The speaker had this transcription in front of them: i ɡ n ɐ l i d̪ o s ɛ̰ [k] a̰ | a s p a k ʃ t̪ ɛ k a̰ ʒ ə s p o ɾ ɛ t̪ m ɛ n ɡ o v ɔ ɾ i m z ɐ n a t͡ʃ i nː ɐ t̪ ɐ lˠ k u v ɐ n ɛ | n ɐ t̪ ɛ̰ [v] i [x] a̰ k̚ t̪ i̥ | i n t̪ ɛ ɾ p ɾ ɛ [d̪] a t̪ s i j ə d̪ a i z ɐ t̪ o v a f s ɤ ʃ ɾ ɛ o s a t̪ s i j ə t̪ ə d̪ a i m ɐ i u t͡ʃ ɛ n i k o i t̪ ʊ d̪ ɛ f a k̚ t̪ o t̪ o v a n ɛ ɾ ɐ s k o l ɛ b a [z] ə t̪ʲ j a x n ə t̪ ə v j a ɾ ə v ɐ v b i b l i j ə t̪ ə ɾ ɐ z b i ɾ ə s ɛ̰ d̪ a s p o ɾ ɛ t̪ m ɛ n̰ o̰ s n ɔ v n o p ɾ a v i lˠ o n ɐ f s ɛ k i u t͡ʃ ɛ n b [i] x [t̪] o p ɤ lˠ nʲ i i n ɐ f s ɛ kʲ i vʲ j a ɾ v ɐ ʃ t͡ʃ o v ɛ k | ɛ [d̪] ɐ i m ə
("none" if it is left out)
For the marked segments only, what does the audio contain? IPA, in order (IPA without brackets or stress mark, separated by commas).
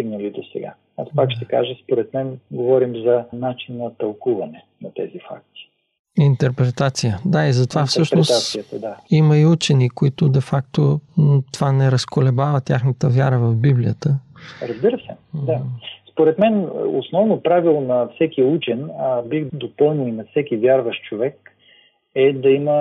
ɡ, z, f, t̪, v, i, d̪, d̪